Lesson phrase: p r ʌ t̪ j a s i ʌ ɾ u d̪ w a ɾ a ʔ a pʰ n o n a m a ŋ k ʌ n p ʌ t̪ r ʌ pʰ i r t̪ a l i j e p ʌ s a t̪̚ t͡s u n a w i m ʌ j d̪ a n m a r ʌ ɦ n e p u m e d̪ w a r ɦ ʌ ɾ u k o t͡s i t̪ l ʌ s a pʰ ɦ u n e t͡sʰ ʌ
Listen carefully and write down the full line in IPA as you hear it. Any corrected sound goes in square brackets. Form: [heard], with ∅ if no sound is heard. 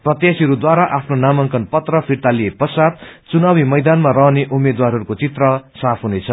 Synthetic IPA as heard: p r ʌ t̪ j a s i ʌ ɾ u d̪ w a ɾ a ʔ a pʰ n o n a m [ʌ] ŋ k ʌ n p ʌ t̪ r ʌ pʰ i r t̪ a l i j e p ʌ s a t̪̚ t͡s u n a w i m ʌ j d̪ a n m a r ʌ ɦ n e [ʔ] u m e d̪ w a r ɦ ʌ ɾ u k o t͡s i t̪ [r] ʌ s a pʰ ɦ u n e t͡sʰ ʌ